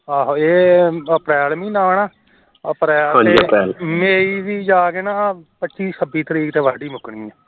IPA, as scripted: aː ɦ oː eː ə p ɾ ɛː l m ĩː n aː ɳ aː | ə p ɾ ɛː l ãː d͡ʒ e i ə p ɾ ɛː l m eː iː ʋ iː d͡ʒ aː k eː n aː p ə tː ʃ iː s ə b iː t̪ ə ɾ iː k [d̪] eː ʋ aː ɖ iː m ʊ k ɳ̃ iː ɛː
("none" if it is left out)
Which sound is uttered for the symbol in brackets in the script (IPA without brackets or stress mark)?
t̪